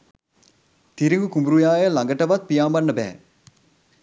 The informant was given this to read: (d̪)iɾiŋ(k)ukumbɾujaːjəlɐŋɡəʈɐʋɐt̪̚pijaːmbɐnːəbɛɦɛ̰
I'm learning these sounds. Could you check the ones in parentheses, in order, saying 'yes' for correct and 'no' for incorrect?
no, no

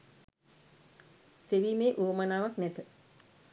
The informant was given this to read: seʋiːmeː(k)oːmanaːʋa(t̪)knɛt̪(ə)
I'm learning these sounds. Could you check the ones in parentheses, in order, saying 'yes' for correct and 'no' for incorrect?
no, no, yes

